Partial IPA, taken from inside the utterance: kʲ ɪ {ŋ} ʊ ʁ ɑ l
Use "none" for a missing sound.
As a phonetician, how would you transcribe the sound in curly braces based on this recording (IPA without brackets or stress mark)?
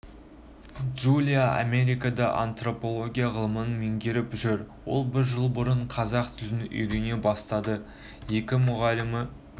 m